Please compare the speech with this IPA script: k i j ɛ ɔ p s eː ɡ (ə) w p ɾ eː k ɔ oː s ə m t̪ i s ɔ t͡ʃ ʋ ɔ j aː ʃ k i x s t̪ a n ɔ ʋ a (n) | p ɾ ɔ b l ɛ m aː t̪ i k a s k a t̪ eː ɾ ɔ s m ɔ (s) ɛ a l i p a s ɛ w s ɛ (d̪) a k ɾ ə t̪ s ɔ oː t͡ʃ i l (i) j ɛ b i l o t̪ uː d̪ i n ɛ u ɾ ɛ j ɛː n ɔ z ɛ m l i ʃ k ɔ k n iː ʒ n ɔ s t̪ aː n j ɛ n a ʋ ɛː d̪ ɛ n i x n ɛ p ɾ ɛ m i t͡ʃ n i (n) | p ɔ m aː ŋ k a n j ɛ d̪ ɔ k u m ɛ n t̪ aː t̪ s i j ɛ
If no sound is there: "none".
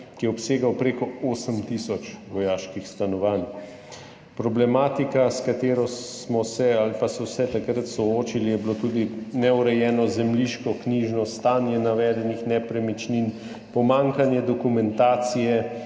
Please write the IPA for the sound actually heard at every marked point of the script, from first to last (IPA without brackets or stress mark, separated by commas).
a, n, s, t̪, i, n